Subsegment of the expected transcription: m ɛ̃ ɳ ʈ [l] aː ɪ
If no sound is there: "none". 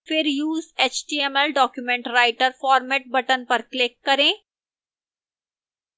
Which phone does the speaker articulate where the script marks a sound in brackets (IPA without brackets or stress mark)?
ɾ